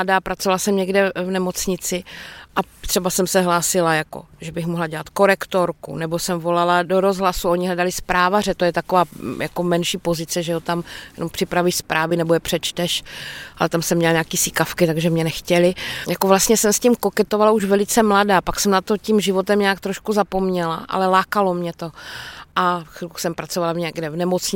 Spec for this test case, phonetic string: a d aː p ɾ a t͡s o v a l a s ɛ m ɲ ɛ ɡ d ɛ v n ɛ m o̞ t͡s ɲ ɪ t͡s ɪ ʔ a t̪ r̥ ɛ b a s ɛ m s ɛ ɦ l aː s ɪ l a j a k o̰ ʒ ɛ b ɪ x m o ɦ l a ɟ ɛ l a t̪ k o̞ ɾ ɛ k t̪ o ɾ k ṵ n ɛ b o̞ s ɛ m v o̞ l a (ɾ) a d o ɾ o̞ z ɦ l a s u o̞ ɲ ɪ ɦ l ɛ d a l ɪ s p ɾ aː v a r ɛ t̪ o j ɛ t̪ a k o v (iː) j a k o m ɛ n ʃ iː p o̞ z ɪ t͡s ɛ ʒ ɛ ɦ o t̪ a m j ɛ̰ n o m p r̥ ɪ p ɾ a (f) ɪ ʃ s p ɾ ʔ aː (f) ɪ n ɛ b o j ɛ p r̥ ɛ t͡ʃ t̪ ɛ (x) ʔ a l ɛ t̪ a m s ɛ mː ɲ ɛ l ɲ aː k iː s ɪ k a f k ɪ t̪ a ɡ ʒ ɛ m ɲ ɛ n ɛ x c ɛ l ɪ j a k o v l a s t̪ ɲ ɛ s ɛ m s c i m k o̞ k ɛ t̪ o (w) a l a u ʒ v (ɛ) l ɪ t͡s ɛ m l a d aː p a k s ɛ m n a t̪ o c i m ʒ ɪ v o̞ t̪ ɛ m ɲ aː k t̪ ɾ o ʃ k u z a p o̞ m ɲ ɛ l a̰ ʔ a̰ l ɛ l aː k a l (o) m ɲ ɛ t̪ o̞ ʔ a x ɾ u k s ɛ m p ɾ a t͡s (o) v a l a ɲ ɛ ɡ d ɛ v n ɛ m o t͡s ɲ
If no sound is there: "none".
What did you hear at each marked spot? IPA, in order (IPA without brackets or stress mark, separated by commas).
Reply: l, aː, v, v, ʃ, v, ɛ, o, o